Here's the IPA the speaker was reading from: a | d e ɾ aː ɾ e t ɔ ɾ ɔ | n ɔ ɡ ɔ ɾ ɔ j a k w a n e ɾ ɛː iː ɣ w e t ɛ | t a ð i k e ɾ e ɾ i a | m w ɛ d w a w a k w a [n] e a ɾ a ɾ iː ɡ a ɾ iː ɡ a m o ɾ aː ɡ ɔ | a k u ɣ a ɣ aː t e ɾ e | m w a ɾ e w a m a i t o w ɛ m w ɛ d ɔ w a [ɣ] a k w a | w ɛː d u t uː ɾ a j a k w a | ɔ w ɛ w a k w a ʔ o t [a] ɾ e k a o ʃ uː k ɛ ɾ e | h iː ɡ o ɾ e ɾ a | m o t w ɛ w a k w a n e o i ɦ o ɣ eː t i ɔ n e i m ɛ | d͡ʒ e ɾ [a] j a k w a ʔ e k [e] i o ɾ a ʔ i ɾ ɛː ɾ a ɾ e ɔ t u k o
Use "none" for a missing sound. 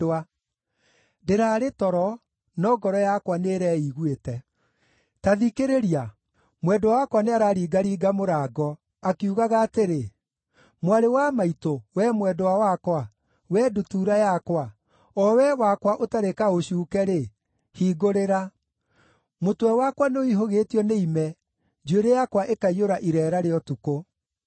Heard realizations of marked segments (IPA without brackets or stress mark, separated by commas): n, w, a, e, a